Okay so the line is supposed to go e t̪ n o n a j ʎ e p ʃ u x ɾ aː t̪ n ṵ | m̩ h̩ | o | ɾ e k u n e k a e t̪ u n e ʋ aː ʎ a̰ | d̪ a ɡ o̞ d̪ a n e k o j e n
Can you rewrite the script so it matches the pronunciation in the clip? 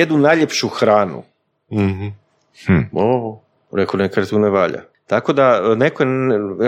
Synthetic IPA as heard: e d̪ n u n a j ʎ e p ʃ u x ɾ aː n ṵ | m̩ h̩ | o | ɾ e k o n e k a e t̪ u n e ʋ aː ʎ a̰ | t̪ a k o̞ d̪ a n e k o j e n